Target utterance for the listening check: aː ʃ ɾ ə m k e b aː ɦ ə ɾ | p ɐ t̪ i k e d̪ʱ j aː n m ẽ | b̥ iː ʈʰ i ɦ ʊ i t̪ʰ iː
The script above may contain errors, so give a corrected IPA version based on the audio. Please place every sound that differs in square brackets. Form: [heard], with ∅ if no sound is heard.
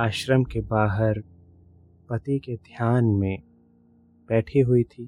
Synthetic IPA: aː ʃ ɾ ə m k e b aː ɦ ə ɾ | p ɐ t̪ i k e d̪ʱ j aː n m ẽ | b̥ [ɛː] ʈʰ i ɦ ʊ i t̪ʰ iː